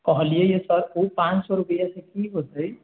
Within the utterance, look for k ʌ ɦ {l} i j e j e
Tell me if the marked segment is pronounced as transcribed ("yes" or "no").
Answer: yes